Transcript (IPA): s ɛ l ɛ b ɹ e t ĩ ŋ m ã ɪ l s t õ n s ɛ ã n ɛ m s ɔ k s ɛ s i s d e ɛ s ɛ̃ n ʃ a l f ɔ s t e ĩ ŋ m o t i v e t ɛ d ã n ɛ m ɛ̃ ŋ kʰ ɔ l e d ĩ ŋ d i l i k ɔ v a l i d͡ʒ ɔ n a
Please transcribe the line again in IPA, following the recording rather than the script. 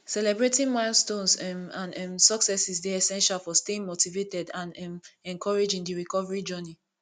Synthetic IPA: s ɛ l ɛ b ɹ e t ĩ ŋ m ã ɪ l s t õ n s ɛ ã n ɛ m s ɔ k s ɛ s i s d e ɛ s ɛ̃ n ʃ a l f ɔ s t e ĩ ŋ m o t i v e t ɛ d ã n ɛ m ɛ̃ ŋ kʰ ɔ ɹ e d͡ʒ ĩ ŋ d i ɹ i k ɔ v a ɹ i d͡ʒ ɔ n i